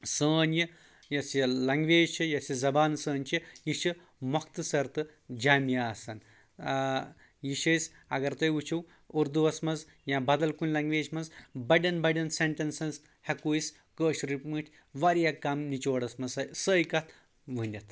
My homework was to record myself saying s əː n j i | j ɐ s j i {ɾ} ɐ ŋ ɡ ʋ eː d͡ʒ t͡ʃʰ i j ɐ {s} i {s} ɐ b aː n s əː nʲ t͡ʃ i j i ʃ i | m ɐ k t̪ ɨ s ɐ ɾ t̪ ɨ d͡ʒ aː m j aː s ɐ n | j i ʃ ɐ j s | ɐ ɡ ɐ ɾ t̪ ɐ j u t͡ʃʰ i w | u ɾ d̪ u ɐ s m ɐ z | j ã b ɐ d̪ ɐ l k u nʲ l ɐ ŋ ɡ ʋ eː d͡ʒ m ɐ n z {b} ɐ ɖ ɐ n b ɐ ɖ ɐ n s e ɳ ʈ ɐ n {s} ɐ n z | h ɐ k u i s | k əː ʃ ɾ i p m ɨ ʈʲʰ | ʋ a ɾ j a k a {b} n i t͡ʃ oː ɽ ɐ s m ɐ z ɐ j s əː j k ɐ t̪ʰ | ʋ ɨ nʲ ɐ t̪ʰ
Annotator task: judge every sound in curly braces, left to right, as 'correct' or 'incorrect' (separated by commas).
incorrect, correct, incorrect, correct, correct, incorrect